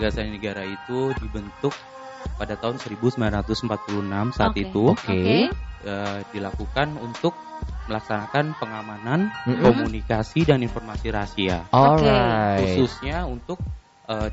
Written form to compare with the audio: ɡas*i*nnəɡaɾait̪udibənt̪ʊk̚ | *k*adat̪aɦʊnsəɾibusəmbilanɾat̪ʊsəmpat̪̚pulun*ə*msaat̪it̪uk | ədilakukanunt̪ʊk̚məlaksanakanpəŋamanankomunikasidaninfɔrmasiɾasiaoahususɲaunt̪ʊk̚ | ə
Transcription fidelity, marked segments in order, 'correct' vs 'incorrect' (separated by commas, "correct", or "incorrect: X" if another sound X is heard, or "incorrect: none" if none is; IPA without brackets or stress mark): incorrect: a, incorrect: p, incorrect: a